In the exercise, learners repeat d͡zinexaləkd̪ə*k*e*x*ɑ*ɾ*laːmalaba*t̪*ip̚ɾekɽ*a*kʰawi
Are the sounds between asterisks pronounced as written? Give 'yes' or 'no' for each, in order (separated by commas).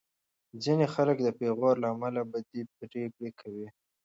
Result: no, no, yes, no, no